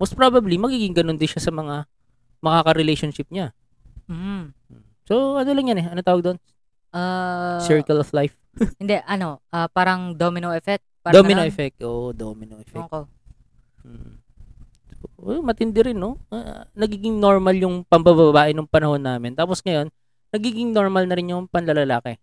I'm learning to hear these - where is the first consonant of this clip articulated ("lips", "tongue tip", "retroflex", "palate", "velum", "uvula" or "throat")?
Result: lips